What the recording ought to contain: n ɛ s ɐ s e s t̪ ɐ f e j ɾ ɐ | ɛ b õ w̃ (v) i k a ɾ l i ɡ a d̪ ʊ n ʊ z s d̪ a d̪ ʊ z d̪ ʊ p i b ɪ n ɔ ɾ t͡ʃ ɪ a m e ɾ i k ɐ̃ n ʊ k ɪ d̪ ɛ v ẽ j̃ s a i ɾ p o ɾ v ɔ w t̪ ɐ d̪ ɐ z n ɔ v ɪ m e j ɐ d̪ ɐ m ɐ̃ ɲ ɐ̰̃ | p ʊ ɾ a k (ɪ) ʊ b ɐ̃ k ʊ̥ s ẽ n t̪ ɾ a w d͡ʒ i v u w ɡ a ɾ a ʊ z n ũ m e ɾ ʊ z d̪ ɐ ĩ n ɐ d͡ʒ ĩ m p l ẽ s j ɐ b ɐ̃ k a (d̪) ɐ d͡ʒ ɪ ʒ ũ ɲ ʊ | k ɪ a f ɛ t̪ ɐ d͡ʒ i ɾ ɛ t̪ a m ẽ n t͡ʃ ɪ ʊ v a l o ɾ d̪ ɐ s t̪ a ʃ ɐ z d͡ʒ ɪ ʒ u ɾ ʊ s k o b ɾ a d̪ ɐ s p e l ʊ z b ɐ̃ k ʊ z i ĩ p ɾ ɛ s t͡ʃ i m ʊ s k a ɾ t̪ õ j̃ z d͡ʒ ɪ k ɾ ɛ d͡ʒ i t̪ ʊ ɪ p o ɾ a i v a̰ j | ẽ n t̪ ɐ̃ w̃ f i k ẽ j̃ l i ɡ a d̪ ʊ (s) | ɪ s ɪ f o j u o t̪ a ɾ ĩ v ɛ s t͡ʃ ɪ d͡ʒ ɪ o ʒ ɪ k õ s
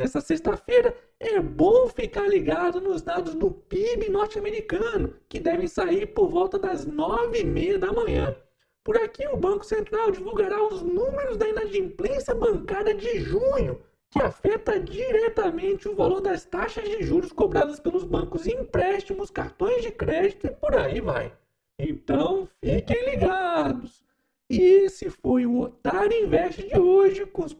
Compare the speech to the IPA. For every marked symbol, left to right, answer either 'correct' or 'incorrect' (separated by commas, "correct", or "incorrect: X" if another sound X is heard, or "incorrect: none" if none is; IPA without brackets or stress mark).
incorrect: f, incorrect: i, correct, correct